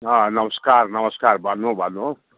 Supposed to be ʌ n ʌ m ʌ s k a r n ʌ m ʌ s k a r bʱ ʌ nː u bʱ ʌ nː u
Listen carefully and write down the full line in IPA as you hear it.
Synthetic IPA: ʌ n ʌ m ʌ s k a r n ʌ m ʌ s k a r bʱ ʌ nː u bʱ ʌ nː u